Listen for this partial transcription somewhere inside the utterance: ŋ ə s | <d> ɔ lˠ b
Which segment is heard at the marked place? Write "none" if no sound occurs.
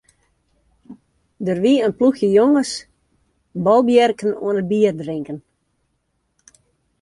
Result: b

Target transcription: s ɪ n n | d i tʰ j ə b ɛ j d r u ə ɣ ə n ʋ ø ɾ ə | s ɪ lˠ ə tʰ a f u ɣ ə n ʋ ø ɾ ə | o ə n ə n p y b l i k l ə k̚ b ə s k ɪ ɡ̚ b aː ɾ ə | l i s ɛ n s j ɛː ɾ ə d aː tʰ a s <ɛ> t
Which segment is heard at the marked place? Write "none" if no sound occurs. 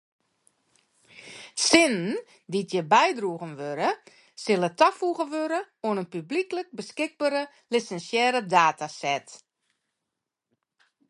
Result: ɛ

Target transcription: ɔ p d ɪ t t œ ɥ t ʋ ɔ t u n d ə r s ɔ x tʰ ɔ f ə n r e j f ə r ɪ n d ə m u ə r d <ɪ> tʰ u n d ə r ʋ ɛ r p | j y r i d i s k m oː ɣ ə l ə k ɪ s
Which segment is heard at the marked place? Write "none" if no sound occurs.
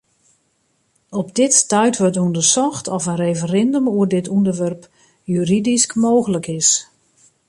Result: ɪ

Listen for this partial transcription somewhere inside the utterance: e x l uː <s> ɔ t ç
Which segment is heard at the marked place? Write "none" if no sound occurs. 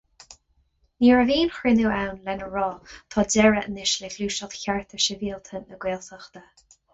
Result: ʃ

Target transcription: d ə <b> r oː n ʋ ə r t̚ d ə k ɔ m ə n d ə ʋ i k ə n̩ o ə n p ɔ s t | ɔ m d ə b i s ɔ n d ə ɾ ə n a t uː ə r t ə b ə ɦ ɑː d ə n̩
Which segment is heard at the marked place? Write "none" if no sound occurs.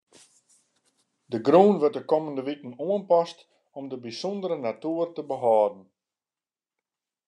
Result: ɡ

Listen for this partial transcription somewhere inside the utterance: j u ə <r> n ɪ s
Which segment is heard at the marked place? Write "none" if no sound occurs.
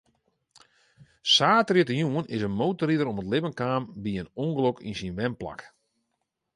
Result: none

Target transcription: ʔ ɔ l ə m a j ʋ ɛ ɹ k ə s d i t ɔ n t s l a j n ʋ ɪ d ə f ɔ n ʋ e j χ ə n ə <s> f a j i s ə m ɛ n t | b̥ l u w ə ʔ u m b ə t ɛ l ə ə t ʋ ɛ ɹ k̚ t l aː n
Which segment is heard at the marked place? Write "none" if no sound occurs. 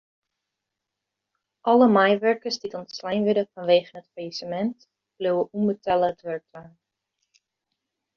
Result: t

